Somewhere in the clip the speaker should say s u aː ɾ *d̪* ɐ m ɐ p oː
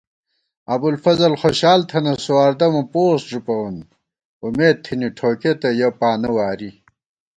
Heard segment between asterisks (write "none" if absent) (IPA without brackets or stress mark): d̪